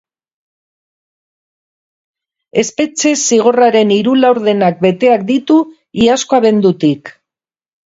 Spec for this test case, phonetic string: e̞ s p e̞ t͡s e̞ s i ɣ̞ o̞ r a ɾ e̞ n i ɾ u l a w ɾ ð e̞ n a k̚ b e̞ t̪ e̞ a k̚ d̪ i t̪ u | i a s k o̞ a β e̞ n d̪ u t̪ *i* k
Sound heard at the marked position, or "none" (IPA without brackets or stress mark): i